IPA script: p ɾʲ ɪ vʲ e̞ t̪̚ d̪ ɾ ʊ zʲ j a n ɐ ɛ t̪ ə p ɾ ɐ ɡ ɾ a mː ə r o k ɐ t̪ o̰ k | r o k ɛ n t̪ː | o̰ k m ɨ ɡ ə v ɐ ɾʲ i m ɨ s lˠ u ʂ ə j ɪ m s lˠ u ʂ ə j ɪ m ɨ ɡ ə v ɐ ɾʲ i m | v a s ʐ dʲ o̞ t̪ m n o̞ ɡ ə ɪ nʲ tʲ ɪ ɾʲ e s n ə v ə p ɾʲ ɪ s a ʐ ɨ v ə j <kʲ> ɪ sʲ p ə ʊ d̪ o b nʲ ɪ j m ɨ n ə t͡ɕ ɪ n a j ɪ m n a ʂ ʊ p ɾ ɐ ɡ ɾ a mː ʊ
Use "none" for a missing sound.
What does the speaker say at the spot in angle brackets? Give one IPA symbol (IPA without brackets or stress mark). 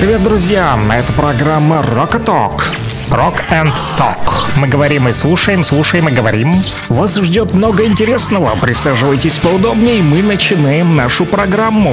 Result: tʲ